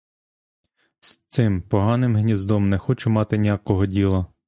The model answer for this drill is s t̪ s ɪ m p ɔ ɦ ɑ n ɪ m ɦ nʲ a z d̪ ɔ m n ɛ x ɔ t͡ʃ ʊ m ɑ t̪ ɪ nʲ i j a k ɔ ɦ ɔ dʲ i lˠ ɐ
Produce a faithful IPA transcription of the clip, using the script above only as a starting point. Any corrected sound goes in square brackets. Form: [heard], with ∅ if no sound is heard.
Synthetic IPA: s t̪ s ɪ m p ɔ ɦ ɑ n ɪ m ɦ nʲ [i] z d̪ ɔ m n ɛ x ɔ t͡ʃ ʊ m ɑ t̪ ɪ nʲ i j a k ɔ ɦ ɔ dʲ i lˠ ɐ